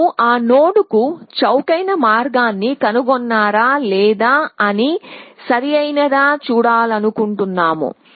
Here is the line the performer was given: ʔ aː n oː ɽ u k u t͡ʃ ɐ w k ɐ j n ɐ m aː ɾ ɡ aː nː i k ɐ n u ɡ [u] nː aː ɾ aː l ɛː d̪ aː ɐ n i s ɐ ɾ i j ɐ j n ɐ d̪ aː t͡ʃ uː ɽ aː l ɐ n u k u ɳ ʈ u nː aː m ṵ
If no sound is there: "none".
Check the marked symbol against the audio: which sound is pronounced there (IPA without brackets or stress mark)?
ɔ